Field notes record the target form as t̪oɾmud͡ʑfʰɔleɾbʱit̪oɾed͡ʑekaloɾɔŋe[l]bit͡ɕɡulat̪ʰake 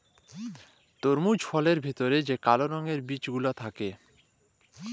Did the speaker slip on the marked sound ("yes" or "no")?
yes